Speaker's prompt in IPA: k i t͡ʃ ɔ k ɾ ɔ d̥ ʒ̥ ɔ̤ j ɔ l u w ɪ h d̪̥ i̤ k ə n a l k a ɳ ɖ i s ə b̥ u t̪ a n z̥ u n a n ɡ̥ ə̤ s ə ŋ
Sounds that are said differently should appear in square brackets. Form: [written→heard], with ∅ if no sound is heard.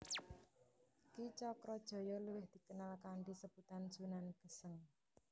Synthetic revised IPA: k i t͡ʃ ɔ k ɾ ɔ d̥ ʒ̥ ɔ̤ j ɔ l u w ɪ h d̪̥ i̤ k ə n a l k a ɳ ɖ i s ə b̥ u t̪ a n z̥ u n a n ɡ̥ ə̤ s ə ŋ